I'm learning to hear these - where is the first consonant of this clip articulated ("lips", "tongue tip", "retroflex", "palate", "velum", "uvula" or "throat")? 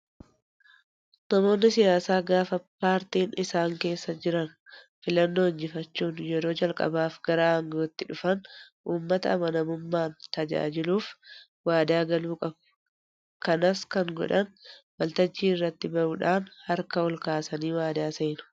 tongue tip